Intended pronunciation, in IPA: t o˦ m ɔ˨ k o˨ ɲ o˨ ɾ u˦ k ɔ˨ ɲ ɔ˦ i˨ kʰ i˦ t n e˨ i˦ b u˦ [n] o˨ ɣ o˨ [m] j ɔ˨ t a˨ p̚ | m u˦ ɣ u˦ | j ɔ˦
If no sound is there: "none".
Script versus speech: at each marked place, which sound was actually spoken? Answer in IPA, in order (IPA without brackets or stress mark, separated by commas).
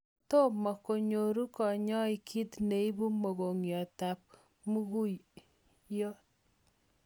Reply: m, ŋ